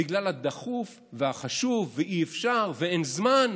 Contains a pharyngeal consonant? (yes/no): no